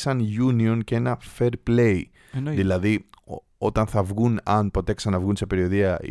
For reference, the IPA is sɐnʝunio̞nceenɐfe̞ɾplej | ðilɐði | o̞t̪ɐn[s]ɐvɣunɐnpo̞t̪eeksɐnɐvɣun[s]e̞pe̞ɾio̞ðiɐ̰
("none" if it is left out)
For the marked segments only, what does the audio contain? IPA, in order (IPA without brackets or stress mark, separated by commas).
θ, s